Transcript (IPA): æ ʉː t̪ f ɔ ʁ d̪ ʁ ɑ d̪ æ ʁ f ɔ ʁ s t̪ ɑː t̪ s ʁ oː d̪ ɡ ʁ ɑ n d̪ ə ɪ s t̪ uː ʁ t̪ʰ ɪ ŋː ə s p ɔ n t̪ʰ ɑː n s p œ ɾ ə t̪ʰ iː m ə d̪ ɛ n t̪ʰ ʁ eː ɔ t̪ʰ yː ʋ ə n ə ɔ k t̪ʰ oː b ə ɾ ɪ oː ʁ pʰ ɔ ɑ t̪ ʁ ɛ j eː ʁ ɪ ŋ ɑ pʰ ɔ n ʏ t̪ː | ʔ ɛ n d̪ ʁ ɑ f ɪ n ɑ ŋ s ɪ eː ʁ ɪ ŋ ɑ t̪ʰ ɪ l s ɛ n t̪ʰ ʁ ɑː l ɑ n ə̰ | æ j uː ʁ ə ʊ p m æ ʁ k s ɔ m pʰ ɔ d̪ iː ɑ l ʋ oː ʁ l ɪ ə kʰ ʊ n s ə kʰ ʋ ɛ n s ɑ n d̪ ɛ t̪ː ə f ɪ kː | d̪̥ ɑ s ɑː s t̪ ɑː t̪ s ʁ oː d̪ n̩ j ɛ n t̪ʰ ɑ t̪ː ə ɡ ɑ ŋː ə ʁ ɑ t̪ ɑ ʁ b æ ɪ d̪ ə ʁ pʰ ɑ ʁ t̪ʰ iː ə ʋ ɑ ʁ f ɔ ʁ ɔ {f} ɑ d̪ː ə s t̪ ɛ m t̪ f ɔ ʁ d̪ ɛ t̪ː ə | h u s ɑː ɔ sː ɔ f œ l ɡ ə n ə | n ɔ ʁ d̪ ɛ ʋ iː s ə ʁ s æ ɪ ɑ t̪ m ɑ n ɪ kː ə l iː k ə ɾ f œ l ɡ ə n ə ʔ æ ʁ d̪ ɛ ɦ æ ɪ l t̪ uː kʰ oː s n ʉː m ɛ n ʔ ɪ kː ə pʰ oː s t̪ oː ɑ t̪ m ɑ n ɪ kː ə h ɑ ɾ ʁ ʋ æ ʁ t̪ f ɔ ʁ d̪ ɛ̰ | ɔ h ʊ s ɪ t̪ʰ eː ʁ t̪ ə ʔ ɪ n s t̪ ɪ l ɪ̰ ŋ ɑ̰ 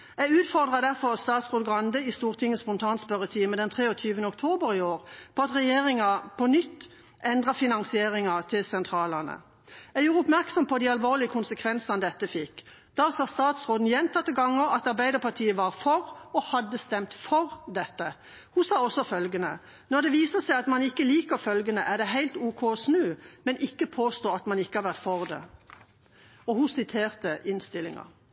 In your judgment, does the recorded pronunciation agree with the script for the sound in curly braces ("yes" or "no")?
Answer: no